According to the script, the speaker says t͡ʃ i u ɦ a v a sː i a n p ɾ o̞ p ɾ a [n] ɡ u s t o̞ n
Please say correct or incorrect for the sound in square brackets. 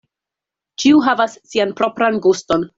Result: correct